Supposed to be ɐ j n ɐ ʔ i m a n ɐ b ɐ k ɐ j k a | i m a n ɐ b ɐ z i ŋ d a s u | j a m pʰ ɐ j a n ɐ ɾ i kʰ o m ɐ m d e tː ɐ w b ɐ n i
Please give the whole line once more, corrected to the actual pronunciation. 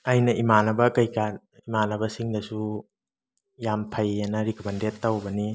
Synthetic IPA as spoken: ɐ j n ɐ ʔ i m a n ɐ b ɐ k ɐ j k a | i m a n ɐ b ɐ s i ŋ d ɐ s u | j a m pʰ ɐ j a n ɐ ɾ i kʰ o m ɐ n d e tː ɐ w b ɐ n i